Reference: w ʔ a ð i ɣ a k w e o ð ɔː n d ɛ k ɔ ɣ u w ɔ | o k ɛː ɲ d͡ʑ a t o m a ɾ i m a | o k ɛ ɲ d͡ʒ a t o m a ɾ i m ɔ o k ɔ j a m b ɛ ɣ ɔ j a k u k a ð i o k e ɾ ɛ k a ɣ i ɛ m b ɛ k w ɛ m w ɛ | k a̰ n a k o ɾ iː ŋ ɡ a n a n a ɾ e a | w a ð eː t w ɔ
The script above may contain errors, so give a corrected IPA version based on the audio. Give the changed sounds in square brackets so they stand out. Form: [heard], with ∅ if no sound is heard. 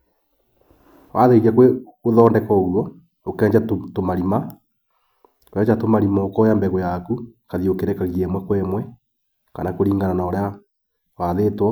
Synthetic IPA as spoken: w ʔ a ð [e] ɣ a k w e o ð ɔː n d ɛ k ɔ ɣ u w ɔ | o k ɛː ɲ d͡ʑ a t o m a ɾ i m a | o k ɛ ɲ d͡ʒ a t o m a ɾ i m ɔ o k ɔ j a m b ɛ ɣ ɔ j a k u k a ð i o k e ɾ ɛ k a ɣ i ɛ m [w] ɛ k w ɛ m w ɛ | k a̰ n a k o ɾ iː ŋ ɡ a n a n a ɾ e a | w a ð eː t w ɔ